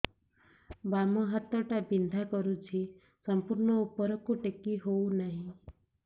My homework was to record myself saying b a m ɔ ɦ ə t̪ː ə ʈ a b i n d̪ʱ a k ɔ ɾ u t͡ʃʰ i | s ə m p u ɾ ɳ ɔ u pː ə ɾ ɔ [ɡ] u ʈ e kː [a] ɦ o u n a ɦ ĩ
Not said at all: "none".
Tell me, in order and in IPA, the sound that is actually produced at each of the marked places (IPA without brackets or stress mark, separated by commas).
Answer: k, i